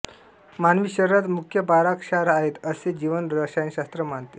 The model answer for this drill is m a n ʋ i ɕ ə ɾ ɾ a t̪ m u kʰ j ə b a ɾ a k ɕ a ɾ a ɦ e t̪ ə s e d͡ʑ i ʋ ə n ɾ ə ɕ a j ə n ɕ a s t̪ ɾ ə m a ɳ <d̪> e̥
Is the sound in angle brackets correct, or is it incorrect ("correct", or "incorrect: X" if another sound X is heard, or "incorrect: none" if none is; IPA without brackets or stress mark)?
incorrect: t̪